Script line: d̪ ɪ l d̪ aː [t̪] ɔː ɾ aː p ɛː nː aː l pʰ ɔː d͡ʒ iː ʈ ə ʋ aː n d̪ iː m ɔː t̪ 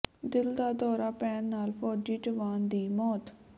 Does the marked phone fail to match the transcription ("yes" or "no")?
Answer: yes